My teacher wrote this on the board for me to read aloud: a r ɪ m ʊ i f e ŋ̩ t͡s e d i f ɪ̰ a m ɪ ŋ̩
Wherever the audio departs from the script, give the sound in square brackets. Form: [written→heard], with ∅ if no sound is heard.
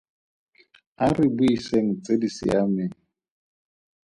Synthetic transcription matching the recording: a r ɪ [m→b] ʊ i [f→s] e ŋ̩ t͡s e d i [f→s] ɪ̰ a m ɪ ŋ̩